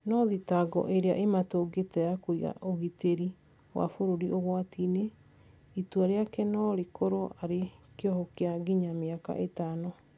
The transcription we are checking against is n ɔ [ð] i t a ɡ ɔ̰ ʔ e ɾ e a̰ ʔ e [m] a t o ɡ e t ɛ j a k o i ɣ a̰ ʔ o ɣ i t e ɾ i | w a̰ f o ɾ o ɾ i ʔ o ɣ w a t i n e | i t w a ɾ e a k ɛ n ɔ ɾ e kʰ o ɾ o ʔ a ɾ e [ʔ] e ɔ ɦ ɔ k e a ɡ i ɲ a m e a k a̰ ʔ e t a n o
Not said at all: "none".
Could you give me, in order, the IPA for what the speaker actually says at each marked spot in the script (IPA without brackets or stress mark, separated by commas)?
ð, m, k